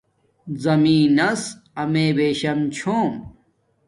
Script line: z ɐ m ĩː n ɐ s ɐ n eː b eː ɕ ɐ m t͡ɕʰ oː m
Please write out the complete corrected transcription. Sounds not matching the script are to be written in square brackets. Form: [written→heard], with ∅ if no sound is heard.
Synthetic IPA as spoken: z ɐ m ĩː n ɐ s ɐ [n→m] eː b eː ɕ ɐ m t͡ɕʰ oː m